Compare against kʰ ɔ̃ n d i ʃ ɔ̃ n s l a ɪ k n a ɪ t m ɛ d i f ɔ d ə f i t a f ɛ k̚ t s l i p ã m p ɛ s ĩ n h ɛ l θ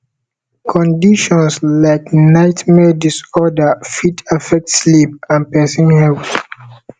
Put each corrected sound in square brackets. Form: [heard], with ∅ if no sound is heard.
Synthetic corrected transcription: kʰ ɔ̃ n d i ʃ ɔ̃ n s l a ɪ k n a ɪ t m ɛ d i [s] ɔ d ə f i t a f ɛ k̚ t s l i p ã [n] p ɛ s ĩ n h ɛ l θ